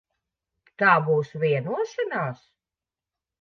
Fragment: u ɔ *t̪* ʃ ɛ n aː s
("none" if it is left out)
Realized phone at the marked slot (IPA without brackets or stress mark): none